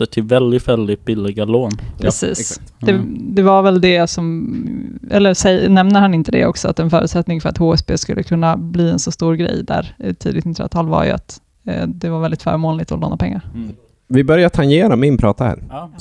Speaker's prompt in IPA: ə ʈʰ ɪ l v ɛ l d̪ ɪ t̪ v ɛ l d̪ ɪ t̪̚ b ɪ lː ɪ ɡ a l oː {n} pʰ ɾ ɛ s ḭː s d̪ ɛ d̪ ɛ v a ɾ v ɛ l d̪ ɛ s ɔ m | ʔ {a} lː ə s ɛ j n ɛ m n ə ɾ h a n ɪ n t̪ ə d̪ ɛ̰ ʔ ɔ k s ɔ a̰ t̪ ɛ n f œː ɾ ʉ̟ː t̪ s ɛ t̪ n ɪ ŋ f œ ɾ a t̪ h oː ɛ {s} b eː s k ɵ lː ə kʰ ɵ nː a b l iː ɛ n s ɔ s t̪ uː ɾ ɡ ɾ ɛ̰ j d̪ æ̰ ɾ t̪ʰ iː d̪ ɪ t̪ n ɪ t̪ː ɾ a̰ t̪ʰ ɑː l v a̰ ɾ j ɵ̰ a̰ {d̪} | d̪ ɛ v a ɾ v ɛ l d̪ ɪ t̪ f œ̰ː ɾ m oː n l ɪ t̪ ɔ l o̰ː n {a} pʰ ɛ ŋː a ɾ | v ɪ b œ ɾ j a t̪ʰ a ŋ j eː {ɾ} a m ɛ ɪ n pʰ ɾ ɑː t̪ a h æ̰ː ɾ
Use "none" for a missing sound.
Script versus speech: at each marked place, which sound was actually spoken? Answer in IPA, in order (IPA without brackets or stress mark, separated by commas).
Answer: n, ɛ, s, t̪, a, ɾ